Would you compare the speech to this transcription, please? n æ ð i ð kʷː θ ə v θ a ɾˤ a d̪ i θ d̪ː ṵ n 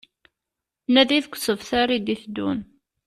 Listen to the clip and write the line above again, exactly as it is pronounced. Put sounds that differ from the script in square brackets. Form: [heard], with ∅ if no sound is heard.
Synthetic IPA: n æ ð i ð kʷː [s] ə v θ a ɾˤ [i] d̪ i θ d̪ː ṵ n